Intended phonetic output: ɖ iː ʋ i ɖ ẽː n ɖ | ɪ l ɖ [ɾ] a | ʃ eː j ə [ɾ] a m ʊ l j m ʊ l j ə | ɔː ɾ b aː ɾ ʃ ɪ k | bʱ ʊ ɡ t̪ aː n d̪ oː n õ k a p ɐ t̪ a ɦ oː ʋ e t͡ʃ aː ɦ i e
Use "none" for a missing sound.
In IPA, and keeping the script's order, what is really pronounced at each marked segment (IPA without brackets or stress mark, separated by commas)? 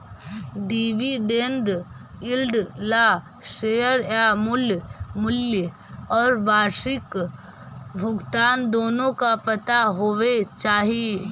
l, ɾ